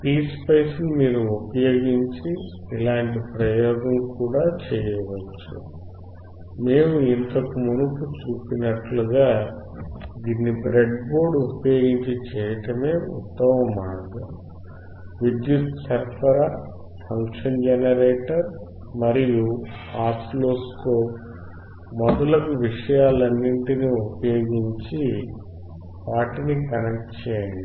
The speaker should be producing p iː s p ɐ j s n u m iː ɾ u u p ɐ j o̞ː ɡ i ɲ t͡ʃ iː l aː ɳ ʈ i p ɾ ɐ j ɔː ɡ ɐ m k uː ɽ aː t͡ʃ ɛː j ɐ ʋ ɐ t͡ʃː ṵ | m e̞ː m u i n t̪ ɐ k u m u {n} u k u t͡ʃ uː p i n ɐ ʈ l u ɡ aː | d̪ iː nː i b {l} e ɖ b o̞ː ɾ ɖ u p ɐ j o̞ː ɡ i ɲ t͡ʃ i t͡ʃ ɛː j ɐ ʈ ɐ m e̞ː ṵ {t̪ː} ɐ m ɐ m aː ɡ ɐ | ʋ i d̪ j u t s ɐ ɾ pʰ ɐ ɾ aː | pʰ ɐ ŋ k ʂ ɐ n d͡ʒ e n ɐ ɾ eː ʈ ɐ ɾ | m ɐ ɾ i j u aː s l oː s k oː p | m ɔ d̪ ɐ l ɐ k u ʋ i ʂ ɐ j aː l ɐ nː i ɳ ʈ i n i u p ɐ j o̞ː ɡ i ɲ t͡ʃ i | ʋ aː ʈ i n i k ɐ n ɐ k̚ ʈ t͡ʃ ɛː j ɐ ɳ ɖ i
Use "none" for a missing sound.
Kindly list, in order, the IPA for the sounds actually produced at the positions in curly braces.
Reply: n, ɾ, t̪ː

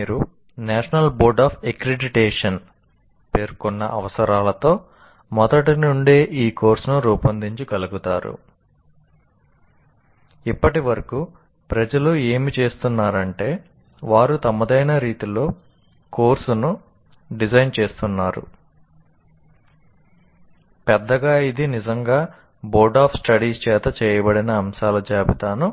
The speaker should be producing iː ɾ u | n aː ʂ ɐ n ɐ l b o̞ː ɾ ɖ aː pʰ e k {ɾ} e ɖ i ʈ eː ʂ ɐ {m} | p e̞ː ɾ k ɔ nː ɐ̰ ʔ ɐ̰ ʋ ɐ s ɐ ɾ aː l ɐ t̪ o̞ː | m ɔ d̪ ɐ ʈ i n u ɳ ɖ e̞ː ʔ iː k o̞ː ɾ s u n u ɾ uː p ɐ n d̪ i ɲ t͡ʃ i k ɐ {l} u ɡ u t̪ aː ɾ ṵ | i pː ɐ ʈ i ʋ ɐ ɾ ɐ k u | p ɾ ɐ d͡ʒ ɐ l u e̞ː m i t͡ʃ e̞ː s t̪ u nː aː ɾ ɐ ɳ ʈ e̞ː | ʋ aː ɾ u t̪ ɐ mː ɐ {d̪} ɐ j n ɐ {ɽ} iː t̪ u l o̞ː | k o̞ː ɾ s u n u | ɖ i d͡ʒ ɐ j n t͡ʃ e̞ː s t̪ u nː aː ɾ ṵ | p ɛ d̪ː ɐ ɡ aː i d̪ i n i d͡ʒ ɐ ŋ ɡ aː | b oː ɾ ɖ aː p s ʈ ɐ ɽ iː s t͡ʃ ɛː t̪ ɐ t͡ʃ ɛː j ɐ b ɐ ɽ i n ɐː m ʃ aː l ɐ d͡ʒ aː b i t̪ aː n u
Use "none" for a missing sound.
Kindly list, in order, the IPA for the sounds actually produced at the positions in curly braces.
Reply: ɾ, n, l, d̪, ɾ

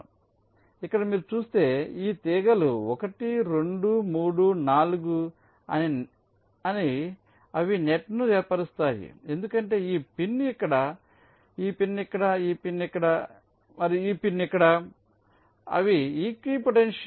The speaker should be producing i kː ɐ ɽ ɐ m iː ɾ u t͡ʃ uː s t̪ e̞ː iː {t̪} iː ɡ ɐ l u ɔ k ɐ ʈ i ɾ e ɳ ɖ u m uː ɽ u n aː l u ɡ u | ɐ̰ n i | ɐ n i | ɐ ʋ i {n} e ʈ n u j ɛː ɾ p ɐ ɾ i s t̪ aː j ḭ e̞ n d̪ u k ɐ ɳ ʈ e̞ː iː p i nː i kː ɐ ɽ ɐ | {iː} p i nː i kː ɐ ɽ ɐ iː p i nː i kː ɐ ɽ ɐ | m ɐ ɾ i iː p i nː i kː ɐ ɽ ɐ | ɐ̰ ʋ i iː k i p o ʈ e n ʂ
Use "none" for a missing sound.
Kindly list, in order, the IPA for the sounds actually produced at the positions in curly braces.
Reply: t̪, n, iː

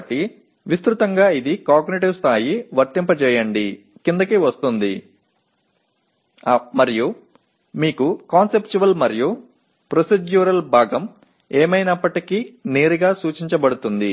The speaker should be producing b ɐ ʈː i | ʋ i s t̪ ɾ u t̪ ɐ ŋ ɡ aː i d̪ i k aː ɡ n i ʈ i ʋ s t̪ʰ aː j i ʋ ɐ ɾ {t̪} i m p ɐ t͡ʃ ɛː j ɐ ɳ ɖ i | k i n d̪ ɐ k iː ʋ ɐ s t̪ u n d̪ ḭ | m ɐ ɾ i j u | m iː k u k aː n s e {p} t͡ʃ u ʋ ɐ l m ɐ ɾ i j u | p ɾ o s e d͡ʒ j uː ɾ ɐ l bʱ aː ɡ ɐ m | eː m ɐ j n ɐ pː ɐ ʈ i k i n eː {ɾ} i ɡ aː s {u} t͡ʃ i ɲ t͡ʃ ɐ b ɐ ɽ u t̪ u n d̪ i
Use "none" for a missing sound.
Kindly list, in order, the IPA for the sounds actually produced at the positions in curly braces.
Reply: t̪, p, ɾ, uː

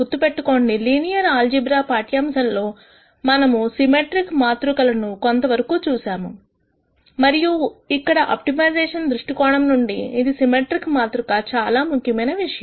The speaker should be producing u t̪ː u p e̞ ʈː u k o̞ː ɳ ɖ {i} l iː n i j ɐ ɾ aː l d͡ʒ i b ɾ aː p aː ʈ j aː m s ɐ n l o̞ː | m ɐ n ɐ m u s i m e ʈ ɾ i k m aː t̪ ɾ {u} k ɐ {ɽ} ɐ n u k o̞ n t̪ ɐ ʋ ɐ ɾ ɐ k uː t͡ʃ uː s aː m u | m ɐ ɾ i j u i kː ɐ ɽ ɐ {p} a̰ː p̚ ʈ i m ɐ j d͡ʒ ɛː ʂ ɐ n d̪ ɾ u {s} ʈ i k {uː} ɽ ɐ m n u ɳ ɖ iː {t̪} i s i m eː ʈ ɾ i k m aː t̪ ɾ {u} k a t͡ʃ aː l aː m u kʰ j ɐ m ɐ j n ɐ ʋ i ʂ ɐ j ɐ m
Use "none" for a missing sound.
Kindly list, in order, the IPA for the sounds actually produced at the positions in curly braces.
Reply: i, u, l, ʔ, ʂ, ɔː, d̪, u

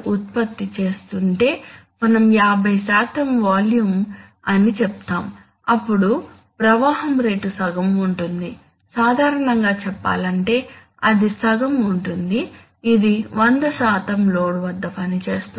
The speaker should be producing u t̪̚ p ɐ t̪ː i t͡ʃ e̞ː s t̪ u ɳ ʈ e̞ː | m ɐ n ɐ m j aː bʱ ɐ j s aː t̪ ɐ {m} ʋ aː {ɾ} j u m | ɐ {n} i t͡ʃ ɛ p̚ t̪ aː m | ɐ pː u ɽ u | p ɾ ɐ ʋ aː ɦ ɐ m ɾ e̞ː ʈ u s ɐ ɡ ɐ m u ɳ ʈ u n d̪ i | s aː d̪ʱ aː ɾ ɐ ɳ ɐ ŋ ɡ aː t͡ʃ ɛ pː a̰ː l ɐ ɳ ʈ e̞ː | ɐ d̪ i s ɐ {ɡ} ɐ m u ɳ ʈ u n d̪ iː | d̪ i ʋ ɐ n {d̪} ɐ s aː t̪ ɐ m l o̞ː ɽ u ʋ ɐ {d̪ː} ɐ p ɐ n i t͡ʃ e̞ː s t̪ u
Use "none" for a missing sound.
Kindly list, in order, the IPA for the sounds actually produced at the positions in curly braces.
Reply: m, l, n, ɡ, d̪, d̪ː

